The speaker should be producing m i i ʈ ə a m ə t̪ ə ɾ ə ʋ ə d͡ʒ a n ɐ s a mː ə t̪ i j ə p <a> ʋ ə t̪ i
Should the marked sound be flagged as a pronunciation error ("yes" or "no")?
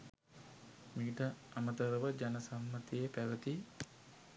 yes